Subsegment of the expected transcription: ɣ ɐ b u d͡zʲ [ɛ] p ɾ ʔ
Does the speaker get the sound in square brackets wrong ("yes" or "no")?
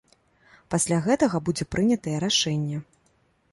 no